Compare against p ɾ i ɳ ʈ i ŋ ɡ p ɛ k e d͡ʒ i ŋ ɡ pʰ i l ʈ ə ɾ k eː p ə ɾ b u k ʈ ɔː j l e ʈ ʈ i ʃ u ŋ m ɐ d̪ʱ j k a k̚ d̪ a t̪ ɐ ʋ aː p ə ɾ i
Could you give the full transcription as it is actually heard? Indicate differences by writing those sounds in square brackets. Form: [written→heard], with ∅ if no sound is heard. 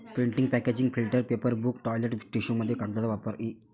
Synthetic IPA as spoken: p ɾ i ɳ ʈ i ŋ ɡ p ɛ k e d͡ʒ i ŋ ɡ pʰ i l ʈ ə ɾ [k→p] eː p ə ɾ b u k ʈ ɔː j l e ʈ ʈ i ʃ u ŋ m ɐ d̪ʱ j k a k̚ d̪ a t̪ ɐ ʋ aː p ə ɾ i